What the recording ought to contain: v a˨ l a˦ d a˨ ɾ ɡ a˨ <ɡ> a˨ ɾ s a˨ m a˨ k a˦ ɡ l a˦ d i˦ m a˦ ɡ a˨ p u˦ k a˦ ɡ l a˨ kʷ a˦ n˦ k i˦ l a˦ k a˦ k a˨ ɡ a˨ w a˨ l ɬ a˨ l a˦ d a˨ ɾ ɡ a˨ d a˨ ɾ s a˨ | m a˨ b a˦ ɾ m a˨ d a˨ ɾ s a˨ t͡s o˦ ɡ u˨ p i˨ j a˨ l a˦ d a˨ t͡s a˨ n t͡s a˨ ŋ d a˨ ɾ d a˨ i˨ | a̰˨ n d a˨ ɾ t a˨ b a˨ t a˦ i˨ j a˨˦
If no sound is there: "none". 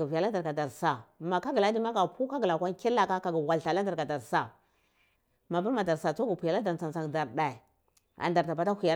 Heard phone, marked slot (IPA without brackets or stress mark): d